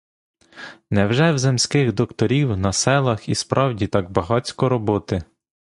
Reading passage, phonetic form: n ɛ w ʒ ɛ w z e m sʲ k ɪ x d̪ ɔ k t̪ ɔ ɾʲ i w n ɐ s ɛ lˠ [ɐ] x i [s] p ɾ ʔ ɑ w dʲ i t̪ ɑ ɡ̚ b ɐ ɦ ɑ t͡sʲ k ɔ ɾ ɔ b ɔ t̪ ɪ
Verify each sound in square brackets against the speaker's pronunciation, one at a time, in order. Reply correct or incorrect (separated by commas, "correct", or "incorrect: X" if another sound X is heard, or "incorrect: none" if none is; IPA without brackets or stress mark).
correct, correct